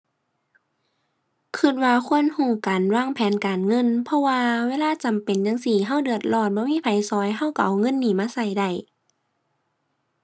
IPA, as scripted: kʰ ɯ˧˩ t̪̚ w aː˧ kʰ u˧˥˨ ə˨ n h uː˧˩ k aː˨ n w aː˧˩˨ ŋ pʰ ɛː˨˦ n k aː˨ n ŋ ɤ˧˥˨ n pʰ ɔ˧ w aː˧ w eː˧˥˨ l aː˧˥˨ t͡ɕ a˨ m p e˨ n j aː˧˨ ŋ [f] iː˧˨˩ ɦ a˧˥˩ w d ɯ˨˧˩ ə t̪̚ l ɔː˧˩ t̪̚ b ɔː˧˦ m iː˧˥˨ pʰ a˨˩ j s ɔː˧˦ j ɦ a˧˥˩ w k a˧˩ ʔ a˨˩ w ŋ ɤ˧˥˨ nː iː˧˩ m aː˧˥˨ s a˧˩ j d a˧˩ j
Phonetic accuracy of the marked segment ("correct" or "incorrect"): incorrect